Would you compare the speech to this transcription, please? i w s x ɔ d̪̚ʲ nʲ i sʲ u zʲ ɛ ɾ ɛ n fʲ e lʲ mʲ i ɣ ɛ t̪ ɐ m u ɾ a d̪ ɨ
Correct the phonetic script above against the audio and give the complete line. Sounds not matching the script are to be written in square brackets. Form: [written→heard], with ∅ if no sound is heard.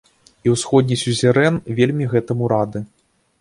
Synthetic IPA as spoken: i w s x ɔ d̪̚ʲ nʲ i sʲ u zʲ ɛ ɾ ɛ n [fʲ→vʲ] e lʲ mʲ i ɣ ɛ t̪ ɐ m u ɾ a d̪ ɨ